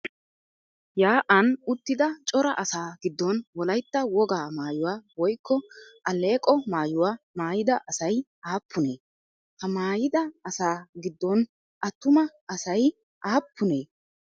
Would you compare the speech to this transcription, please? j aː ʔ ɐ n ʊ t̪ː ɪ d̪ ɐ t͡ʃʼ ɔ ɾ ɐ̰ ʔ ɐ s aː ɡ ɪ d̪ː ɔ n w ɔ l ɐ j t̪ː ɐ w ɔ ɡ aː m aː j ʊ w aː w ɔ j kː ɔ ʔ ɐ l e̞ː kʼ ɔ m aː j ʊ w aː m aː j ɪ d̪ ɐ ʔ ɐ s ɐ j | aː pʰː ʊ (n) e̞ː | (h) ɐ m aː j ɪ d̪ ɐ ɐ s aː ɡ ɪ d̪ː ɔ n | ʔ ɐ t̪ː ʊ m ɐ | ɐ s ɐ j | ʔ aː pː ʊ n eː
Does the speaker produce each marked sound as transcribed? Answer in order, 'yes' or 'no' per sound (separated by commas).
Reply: yes, yes